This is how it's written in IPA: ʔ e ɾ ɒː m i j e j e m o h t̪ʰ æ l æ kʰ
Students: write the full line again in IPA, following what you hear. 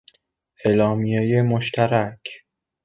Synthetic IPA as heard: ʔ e l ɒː m i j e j e m o ʃ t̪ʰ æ ɾ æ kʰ